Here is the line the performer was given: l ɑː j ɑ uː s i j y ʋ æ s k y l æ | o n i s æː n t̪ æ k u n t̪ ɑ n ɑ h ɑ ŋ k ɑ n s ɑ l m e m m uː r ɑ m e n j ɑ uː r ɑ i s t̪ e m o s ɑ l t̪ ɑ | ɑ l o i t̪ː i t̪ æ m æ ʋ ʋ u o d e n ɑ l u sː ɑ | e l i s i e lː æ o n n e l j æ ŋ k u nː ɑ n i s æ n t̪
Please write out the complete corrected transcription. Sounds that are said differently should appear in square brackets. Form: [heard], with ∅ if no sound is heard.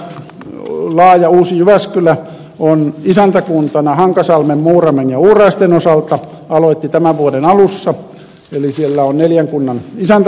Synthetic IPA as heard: l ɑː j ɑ uː s i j y ʋ æ s k y l æ | o n i s [æ] n t̪ æ k u n t̪ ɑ n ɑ h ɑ ŋ k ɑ [∅] s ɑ l m e m m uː r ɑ m e n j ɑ uː r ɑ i s t̪ e [n] o s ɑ l t̪ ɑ | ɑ l o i t̪ː i t̪ æ m æ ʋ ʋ u o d e n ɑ l u sː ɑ | e l i s i e lː æ o n n e l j æ ŋ k u nː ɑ n i s æ n t̪